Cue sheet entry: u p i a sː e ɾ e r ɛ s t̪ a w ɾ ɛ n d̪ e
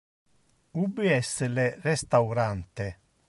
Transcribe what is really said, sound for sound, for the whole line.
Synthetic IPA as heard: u b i ɛ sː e l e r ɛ s t̪ a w ɾ a n t̪ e